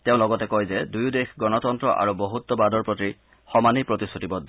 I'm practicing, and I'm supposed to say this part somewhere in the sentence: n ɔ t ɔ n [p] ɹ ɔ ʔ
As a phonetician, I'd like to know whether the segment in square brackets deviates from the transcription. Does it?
yes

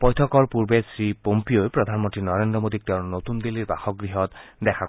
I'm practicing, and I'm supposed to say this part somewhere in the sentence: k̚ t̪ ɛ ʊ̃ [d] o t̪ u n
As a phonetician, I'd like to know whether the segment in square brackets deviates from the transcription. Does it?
yes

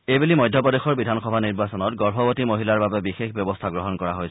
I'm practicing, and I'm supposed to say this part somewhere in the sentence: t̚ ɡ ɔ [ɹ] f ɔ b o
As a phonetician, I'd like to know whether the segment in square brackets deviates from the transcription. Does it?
no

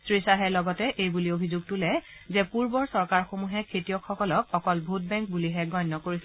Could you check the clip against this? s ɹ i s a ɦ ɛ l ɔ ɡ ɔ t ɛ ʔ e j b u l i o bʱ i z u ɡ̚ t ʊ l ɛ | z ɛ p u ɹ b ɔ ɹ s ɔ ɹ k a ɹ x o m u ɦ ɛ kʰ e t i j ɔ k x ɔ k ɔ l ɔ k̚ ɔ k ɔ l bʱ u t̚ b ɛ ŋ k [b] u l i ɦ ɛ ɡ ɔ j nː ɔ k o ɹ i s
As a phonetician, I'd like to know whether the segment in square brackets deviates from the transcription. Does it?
no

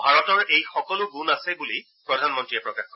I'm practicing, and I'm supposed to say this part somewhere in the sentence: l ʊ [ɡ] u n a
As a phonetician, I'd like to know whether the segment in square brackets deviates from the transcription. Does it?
no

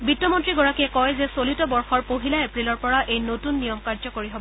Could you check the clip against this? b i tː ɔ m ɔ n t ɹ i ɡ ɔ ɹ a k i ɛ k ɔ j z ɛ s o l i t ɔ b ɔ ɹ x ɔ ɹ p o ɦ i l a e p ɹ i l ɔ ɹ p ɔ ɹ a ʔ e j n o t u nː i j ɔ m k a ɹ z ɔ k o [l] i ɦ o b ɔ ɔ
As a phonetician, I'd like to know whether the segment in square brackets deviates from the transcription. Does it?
yes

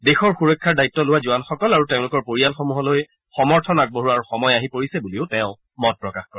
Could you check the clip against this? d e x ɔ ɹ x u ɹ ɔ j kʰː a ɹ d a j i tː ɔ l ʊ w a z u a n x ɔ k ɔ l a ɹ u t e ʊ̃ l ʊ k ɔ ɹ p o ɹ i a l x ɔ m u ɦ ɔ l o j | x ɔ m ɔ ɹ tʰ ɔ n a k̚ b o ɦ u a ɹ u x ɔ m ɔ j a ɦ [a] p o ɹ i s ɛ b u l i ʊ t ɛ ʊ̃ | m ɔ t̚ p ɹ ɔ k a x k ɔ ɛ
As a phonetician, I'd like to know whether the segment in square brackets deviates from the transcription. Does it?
yes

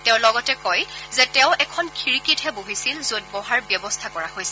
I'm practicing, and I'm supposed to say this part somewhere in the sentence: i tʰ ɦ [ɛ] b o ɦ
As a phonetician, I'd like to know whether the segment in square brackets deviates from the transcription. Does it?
no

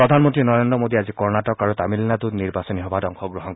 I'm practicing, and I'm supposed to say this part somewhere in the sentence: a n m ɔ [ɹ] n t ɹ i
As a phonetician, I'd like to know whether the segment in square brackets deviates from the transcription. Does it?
yes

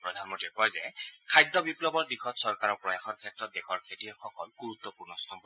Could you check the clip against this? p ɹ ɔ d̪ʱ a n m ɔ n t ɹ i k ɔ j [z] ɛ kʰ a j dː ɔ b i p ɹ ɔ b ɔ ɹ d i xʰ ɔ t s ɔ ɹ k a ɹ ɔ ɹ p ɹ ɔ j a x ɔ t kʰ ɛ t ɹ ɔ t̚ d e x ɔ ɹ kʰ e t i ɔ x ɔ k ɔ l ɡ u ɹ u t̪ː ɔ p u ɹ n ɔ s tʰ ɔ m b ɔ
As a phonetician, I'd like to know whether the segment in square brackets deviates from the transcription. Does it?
no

